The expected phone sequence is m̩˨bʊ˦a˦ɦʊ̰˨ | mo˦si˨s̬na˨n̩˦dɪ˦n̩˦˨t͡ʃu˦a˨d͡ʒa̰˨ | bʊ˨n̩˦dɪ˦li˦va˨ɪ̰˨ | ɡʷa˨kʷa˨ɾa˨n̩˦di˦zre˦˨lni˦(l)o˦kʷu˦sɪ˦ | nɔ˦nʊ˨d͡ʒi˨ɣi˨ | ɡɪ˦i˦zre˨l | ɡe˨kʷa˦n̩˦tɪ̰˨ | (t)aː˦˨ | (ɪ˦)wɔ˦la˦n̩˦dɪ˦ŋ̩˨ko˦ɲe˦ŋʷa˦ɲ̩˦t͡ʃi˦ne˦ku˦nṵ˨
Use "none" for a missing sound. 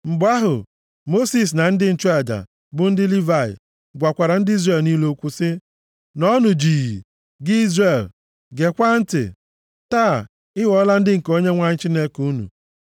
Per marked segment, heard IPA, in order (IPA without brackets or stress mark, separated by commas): l, t, ɪ˦